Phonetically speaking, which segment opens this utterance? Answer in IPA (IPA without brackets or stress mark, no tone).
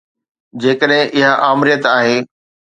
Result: d͡ʑ